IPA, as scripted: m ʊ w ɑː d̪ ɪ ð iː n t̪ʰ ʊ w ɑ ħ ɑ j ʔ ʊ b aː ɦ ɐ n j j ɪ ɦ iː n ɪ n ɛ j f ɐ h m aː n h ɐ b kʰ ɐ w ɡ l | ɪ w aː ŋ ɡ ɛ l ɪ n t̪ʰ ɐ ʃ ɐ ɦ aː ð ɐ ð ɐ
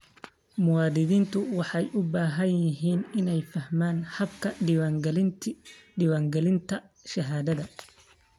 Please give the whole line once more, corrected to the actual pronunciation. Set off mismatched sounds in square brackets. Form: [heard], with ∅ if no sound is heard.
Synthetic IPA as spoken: m ʊ w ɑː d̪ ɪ ð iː n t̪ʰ ʊ w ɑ ħ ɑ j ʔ ʊ b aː ɦ ɐ n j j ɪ ɦ iː n ɪ n ɛ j f ɐ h m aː n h ɐ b kʰ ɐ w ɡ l | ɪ w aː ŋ ɡ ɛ l ɪ n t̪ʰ ɐ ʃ ɐ ɦ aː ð ɐ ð ɐ